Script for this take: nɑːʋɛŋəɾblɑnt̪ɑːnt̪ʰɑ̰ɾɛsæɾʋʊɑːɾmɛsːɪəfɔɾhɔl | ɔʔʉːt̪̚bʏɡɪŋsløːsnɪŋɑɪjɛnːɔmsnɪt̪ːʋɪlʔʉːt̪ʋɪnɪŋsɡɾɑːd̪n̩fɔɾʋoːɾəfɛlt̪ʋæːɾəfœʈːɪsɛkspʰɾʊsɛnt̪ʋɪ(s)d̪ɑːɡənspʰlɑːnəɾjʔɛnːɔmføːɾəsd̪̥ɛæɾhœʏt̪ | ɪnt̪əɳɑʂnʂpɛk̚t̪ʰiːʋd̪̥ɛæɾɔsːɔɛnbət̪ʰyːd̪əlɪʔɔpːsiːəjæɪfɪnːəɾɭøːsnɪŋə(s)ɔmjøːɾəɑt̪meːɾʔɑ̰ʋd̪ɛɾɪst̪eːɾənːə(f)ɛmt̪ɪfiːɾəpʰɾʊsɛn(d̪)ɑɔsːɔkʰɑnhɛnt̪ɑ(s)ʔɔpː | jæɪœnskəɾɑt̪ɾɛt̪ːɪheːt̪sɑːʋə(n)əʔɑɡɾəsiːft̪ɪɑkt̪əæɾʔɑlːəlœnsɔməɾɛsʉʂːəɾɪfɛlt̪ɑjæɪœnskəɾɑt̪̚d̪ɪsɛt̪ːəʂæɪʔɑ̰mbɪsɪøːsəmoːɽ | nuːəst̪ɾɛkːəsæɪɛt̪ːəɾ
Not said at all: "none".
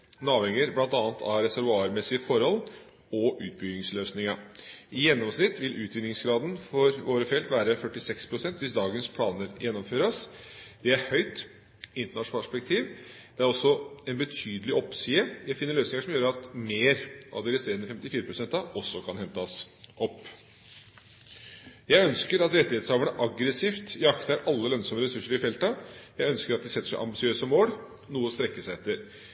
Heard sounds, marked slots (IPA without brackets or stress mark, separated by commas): s, ʂ, f, t̪, s, ɳ